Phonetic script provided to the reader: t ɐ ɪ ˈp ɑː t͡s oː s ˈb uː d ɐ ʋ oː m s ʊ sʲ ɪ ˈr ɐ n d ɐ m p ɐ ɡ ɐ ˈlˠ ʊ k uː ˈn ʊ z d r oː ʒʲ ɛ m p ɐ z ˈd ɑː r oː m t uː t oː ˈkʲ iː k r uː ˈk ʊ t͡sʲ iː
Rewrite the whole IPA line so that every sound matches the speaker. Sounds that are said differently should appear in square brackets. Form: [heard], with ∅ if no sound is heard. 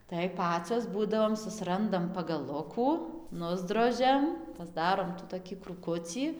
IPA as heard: t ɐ ɪ ˈp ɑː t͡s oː s ˈb uː d ɐ ʋ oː m s ʊ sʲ ɪ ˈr ɐ n d ɐ m p ɐ ɡ ɐ ˈlˠ ʊ k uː ˈn ʊ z d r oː ʒʲ ɛ m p ɐ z ˈd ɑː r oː m t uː t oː ˈkʲ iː k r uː ˈk ʊ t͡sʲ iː